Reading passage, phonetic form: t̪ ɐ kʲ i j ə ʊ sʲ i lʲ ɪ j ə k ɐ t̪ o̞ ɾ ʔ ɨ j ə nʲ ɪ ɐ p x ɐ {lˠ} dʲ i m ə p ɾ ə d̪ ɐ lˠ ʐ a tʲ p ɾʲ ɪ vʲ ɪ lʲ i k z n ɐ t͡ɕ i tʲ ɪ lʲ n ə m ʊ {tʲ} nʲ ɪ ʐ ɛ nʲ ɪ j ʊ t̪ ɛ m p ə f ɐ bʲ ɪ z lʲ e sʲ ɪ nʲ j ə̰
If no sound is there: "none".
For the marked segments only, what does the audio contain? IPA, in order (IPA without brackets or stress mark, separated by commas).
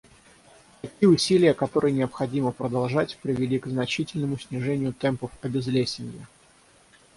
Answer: none, sʲ